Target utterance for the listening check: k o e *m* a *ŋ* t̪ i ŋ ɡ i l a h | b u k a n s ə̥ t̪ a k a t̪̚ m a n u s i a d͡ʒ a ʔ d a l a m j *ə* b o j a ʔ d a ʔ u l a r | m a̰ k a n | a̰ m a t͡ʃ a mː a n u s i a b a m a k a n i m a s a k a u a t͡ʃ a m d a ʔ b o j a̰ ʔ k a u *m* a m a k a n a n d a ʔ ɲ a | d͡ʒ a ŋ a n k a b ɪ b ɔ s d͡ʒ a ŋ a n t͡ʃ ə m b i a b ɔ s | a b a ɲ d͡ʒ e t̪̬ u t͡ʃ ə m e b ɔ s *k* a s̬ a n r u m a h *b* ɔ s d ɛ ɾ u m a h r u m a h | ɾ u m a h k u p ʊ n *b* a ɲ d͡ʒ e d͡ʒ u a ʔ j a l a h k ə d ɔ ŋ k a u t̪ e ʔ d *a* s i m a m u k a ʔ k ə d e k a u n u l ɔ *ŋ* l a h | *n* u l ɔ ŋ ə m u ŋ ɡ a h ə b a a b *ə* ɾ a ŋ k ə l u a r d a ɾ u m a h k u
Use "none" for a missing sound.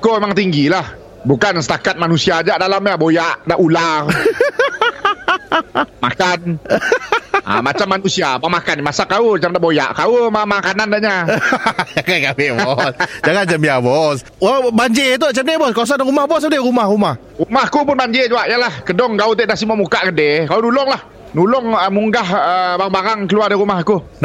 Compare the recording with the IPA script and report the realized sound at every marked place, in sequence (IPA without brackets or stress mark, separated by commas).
m, ŋ, a, m, k, b, b, a, ŋ, n, a